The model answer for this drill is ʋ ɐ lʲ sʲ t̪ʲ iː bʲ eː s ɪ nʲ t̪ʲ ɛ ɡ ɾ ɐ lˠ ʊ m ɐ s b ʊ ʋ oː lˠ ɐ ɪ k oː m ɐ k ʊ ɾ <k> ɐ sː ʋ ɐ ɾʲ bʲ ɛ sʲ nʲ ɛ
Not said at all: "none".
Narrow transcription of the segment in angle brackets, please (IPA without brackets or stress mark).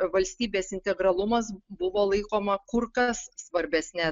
k